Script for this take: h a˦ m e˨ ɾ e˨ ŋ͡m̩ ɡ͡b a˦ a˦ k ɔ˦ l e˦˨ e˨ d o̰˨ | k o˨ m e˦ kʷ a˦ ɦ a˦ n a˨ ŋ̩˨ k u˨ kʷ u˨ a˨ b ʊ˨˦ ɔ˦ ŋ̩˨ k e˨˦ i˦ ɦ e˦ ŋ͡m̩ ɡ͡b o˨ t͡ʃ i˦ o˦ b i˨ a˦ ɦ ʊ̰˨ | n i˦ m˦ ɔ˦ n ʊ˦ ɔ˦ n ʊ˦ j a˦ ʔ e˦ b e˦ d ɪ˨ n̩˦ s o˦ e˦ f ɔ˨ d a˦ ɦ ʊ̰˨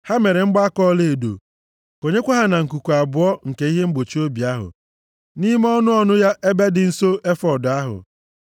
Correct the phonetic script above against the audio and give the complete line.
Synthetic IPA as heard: h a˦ m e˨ ɾ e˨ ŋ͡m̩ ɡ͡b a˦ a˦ k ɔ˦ l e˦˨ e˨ d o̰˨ | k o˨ ɲ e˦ kʷ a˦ ɦ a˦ n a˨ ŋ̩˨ k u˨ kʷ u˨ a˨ b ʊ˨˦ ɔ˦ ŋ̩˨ k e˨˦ i˦ ɦ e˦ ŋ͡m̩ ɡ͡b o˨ t͡ʃ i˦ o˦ b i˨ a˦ ɦ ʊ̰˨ | n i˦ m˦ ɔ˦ n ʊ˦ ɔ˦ n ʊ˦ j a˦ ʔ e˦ b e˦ d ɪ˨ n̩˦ s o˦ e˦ f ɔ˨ d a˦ ɦ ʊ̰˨